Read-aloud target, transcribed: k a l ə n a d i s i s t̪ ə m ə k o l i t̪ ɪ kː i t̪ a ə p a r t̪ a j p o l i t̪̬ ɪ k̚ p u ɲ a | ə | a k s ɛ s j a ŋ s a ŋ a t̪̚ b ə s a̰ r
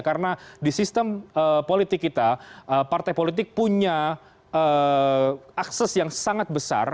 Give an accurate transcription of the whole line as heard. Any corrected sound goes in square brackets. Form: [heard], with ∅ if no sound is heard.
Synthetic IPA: k a [ɾ] ə n a d i s i s t̪ ə m ə [p] o l i t̪ ɪ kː i t̪ a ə p a r t̪ a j p o l i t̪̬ ɪ k̚ p u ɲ a | ə | a k s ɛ s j a ŋ s a ŋ a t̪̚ b ə s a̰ r